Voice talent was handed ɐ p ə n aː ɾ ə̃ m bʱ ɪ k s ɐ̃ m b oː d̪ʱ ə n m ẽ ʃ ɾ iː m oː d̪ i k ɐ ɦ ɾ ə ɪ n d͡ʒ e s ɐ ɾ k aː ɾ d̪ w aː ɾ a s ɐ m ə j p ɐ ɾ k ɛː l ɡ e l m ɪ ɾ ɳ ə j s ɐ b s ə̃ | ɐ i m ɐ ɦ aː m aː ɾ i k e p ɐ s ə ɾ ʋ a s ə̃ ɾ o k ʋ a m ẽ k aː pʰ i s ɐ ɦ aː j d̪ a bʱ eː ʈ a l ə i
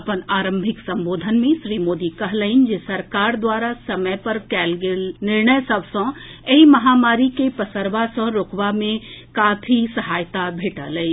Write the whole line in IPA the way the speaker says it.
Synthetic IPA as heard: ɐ p ə n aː ɾ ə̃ m bʱ ɪ k s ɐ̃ m b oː d̪ʱ ə n m ẽ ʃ ɾ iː m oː d̪ i k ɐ ɦ l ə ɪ n d͡ʒ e s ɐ ɾ k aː ɾ d̪ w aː ɾ a s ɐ m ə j p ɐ ɾ k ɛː l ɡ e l n ɪ ɾ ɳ ə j s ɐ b s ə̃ | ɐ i m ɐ ɦ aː m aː ɾ i k e p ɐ s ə ɾ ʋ a s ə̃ ɾ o k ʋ a m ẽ k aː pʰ i s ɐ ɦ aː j t̪ a bʱ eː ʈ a l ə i